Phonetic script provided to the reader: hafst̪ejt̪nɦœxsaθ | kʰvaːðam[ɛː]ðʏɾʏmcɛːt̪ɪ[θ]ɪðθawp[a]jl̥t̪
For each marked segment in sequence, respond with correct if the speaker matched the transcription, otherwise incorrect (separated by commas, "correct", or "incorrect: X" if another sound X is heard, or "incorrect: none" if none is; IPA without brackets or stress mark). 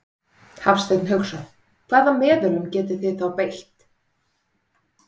correct, correct, incorrect: e